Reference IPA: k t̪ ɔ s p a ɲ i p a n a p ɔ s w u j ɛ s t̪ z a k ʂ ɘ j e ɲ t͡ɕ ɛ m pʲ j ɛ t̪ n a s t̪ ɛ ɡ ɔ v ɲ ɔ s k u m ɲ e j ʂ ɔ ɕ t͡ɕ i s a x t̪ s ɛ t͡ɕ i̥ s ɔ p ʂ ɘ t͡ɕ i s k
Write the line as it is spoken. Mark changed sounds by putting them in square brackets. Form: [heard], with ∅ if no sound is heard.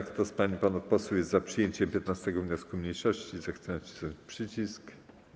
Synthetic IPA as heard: k t̪ ɔ s p a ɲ i p a n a p ɔ s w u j ɛ s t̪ z a [p] ʂ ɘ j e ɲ t͡ɕ ɛ m pʲ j ɛ t̪ n a s t̪ ɛ ɡ ɔ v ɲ ɔ s k u m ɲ e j ʂ ɔ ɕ t͡ɕ i [z] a x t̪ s ɛ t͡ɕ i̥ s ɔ p ʂ ɘ t͡ɕ i s k